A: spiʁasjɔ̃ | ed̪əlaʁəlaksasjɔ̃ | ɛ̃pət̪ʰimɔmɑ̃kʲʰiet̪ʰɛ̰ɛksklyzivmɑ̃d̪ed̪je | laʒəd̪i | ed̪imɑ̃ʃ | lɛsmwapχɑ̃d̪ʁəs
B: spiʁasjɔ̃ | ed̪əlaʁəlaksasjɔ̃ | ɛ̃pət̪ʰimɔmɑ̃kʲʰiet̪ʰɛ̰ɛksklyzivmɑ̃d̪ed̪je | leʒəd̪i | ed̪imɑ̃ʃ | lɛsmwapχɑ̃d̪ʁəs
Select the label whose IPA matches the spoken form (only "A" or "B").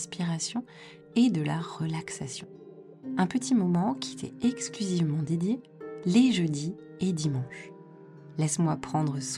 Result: B